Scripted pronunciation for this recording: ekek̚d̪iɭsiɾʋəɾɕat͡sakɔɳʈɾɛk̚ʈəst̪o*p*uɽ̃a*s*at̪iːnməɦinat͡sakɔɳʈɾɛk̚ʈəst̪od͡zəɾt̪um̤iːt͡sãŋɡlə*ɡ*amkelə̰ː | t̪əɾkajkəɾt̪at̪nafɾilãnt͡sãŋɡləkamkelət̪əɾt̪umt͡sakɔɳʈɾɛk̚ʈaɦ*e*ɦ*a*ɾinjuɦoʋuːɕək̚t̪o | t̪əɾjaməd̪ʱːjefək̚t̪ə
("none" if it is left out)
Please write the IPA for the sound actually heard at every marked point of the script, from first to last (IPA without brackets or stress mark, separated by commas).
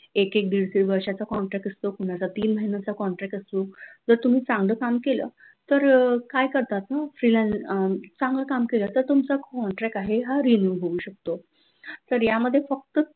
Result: k, t͡s, k, e, a